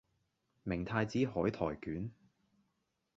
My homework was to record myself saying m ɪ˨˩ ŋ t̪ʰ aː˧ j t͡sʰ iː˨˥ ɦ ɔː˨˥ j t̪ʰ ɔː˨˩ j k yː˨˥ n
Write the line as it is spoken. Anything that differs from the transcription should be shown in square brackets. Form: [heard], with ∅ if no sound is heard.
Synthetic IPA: m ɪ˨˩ ŋ t̪ʰ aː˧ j [t͡s] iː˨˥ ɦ ɔː˨˥ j t̪ʰ ɔː˨˩ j k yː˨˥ n